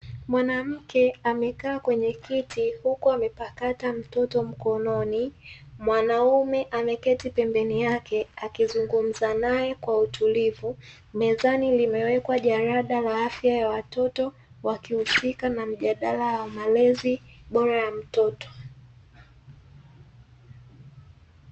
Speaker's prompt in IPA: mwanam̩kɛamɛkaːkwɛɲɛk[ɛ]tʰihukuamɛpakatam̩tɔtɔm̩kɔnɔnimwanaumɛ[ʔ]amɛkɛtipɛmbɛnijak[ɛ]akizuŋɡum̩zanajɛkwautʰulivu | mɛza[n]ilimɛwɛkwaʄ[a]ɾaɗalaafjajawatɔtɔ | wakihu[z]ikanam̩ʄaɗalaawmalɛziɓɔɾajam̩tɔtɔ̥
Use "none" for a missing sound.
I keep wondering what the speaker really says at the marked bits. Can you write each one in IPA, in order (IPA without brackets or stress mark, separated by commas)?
i, ʔ, ɛ, n, a, s